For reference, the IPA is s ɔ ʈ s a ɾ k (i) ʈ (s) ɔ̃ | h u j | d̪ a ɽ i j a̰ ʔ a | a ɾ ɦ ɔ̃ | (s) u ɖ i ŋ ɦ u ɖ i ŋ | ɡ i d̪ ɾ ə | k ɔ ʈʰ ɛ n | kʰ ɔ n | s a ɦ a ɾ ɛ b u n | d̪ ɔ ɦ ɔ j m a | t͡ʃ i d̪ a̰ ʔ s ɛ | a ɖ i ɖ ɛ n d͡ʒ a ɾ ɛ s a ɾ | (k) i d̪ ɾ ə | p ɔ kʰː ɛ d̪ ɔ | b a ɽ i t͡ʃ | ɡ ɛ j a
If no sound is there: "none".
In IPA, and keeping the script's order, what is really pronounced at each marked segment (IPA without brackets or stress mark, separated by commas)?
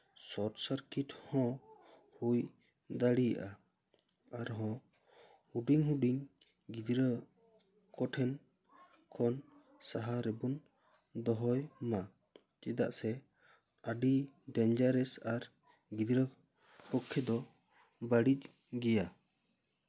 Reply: i, h, h, ɡ